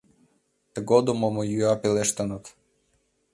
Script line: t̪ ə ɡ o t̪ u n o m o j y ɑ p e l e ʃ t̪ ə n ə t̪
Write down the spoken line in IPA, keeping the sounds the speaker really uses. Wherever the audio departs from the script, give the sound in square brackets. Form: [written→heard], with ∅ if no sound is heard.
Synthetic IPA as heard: t̪ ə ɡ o [t̪→d̪] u [n→m] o m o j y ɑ p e l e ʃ t̪ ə n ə t̪